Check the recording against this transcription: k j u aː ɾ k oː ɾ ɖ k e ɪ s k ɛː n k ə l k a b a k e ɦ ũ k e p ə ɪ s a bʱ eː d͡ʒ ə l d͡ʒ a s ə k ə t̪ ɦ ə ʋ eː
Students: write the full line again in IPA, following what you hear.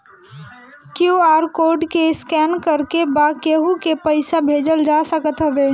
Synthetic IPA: k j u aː ɾ k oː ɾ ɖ k e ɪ s k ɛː n k ə ɾ k e b a k e ɦ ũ k e p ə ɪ s a bʱ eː d͡ʒ ə l d͡ʒ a s ə k ə t̪ ɦ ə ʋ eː

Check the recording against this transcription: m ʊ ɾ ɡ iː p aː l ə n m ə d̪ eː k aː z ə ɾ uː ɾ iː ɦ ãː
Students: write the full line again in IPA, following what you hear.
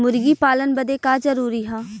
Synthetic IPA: m ʊ ɾ ɡ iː p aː l ə n b ə d̪ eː k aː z ə ɾ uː ɾ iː ɦ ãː

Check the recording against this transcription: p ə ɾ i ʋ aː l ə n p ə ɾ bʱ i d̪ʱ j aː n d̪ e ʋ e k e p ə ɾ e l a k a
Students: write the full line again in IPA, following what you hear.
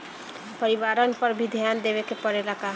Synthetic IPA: p ə ɾ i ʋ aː ɾ ə n p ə ɾ bʱ i d̪ʱ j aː n d̪ e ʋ e k e p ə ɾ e l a k a

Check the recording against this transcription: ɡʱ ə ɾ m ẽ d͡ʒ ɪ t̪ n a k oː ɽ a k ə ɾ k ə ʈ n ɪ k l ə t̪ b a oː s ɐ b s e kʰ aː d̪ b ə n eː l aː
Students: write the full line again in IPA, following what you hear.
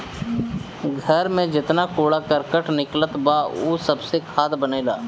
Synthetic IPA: ɡʱ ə ɾ m ẽ d͡ʒ ɪ t̪ n a k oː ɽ a k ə ɾ k ə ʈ n ɪ k l ə t̪ b a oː s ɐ b s e kʰ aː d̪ b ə n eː l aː

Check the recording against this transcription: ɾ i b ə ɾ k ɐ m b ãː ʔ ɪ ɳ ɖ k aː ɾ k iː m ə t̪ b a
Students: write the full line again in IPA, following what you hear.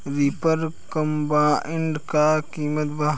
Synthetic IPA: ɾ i p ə ɾ k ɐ m b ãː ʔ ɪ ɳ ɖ k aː k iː m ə t̪ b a

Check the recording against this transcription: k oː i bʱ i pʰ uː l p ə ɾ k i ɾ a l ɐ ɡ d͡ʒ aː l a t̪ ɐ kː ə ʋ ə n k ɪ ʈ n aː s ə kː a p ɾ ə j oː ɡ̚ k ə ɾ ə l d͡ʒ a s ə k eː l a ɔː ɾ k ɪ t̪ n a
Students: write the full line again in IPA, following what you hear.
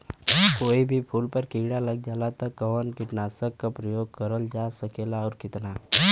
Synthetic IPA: k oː i bʱ i pʰ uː l p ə ɾ k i ɽ a l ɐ ɡ d͡ʒ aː l a t̪ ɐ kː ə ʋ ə n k ɪ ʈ n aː s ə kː a p ɾ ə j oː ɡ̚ k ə ɾ ə l d͡ʒ a s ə k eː l a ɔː ɾ k ɪ t̪ n a

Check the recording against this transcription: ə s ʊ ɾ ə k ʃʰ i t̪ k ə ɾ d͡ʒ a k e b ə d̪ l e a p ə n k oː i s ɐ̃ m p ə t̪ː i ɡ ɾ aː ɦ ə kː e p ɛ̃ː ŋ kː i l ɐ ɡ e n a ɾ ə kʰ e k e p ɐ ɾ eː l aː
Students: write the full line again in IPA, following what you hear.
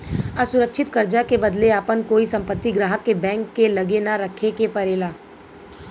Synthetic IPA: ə s ʊ ɾ ə k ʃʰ ɪ t̪ k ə ɾ d͡ʒ a k e b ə d̪ l e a p ə n k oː i s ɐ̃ m p ə t̪ː i ɡ ɾ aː ɦ ə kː e b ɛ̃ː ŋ kː e l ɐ ɡ e n a ɾ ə kʰ e k e p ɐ ɾ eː l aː

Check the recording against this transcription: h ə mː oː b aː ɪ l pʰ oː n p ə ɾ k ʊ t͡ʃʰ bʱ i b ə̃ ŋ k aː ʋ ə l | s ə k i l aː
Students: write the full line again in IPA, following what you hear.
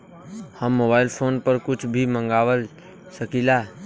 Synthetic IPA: h ə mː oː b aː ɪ l pʰ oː n p ə ɾ k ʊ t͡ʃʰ bʱ i m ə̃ ŋ ɡ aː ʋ ə l | s ə k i l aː

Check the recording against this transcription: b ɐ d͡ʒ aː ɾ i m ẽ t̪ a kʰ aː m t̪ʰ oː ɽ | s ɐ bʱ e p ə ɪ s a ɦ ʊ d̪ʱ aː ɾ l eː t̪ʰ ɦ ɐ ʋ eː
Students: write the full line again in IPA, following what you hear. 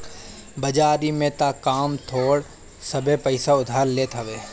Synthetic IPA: b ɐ d͡ʒ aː ɾ i m ẽ t̪ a k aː m t̪ʰ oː ɽ | s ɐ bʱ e p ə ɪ s a ʊ d̪ʱ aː ɾ l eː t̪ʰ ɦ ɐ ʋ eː

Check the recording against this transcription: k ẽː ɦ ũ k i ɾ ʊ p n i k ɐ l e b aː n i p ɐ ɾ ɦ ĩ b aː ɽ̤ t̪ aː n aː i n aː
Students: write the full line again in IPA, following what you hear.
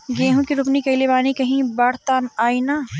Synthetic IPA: ɡ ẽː ɦ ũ k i ɾ ʊ p n i k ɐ l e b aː n i k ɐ ɦ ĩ b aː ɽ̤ t̪ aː n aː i n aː

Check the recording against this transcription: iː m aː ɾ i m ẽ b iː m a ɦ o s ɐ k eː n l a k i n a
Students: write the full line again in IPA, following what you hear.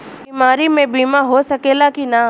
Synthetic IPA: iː m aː ɾ i m ẽ b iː m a ɦ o s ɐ k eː l a k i n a

